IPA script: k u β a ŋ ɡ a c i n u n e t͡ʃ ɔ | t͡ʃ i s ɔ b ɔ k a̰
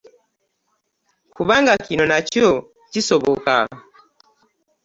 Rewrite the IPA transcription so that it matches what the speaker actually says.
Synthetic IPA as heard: k u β a ŋ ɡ a k i n ɔ n a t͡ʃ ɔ | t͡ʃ i s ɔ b ɔ k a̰